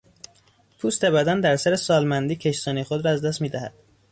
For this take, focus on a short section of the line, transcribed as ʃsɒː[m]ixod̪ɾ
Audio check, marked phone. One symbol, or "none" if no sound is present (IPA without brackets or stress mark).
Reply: n